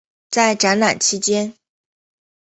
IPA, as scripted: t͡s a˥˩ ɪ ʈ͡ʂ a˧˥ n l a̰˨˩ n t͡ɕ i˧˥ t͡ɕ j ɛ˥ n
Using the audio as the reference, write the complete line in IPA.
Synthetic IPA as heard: t͡s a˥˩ ɪ ʈ͡ʂ a˧˥ n l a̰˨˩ n t͡ɕʰ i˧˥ t͡ɕ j ɛ˥ n